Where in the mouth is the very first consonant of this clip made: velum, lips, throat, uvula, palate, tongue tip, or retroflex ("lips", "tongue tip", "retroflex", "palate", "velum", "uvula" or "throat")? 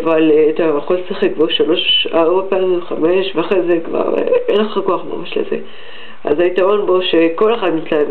lips